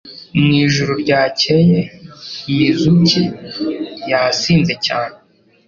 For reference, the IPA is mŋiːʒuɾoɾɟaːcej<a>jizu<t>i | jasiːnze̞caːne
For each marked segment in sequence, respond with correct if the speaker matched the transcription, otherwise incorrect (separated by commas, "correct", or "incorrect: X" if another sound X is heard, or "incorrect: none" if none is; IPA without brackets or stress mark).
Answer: incorrect: e, incorrect: c